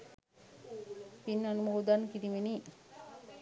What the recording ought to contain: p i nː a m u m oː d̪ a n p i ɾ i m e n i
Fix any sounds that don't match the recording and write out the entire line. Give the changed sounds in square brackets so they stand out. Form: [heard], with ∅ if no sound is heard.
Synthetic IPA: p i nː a [n] u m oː d̪ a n [k] i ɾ i m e n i